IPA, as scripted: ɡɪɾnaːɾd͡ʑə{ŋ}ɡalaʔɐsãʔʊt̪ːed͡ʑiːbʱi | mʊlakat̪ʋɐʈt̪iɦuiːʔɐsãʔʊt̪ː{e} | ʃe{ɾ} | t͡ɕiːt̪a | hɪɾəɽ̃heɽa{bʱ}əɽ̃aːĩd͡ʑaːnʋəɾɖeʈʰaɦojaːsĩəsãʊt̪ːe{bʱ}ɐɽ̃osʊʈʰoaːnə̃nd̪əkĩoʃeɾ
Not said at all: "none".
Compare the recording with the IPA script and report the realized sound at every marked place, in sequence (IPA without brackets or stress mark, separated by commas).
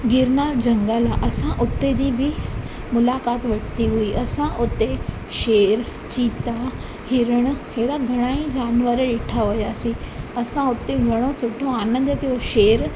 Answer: ŋ, e, ɾ, ɡʱ, ɡʱ